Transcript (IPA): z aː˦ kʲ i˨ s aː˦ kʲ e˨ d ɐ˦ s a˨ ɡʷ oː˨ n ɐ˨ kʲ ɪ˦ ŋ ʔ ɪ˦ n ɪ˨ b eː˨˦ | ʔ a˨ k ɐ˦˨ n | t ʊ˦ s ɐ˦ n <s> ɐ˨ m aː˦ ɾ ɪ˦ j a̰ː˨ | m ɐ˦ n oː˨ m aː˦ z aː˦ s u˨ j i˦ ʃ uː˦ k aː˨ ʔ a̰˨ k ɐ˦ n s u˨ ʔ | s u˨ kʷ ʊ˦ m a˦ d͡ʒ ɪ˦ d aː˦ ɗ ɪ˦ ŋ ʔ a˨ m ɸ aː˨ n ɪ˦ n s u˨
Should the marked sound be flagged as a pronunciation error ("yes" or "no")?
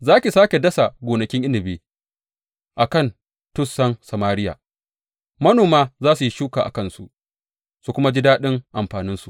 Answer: no